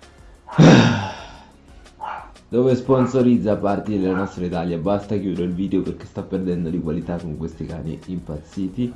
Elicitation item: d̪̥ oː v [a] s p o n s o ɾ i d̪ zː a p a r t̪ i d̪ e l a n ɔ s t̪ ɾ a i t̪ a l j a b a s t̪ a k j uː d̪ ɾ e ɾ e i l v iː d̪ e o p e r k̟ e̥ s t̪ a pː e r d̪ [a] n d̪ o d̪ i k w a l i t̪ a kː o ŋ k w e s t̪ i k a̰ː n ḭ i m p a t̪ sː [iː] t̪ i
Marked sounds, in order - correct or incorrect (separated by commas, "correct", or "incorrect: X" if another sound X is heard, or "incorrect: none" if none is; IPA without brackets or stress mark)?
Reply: incorrect: e, incorrect: ɛ, correct